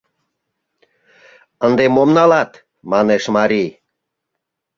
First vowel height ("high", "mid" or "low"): mid